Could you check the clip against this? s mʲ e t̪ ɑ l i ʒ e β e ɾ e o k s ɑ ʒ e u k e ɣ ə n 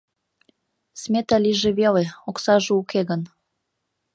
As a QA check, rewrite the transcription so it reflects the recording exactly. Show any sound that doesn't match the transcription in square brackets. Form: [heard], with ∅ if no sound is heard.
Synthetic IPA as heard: s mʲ e t̪ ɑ l i ʒ e β e [l] e o k s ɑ ʒ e u k e ɣ ə n